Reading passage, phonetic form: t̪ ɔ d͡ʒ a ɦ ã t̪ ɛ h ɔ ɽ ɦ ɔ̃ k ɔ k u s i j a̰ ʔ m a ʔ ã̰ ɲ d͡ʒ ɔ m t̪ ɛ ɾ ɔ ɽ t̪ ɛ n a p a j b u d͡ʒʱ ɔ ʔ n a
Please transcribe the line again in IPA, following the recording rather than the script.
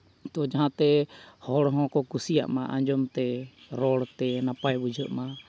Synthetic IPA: t̪ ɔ d͡ʒ a ɦ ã t̪ ɛ h ɔ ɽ ɦ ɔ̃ k ɔ k u s i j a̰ ʔ m a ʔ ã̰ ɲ d͡ʒ ɔ m t̪ ɛ ɾ ɔ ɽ t̪ ɛ n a p a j b u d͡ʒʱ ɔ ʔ m a